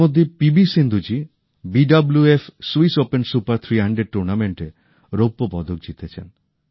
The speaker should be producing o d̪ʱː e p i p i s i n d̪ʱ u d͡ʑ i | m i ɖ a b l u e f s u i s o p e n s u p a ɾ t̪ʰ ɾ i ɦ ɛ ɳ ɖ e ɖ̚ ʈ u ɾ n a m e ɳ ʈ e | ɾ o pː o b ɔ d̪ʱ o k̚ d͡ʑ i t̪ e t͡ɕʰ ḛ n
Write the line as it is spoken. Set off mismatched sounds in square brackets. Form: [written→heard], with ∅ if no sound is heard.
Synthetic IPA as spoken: o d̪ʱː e p i [p→b] i s i n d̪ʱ u d͡ʑ i | [m→b] i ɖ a b l u e f s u i s o p e n s u p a ɾ t̪ʰ ɾ i ɦ [ɛ→a] ɳ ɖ e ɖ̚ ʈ u ɾ n a m e ɳ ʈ e | ɾ o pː o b ɔ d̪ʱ o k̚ d͡ʑ i t̪ e t͡ɕʰ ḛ n